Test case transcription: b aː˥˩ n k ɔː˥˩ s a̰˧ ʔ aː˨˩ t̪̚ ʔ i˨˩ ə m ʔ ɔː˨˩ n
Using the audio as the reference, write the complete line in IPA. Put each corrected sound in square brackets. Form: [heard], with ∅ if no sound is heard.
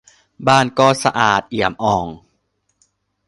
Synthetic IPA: b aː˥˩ n k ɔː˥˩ s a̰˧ ʔ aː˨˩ t̪̚ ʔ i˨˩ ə m ʔ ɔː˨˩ [ŋ]